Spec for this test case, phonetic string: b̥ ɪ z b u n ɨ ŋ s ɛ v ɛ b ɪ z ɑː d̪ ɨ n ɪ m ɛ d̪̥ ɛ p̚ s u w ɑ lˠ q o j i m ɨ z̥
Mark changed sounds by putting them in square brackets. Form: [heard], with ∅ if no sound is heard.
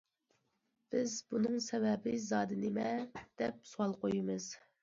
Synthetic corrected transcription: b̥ ɪ z b u n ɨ ŋ s ɛ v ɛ b ɪ z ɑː d̪ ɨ n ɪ m ɛ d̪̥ ɛ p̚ s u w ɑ lˠ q o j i m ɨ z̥